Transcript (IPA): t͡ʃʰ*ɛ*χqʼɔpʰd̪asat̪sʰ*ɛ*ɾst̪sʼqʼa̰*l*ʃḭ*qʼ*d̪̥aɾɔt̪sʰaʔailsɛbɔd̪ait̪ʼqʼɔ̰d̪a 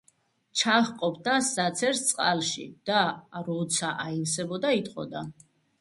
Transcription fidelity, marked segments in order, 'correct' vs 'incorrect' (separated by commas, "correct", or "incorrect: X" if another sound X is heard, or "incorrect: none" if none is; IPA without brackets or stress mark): incorrect: a, correct, correct, incorrect: none